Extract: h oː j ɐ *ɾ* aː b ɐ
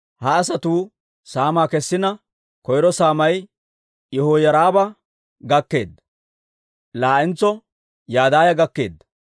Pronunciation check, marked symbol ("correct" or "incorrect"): correct